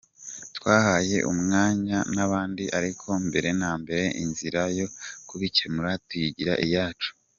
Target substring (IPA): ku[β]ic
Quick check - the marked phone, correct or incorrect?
correct